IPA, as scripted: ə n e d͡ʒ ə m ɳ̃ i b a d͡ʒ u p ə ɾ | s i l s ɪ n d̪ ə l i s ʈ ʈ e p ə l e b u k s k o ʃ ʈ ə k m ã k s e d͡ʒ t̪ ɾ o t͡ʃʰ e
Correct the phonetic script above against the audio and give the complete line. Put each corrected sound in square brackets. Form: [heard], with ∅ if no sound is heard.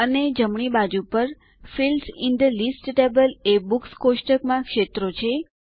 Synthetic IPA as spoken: ə n e d͡ʒ ə m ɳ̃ i b a d͡ʒ u p ə ɾ | [f] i l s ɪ n d̪ ə l i s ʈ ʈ e [b] ə l e b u k s k o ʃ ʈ ə k m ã k [ʃ] e [∅] t̪ ɾ o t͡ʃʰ e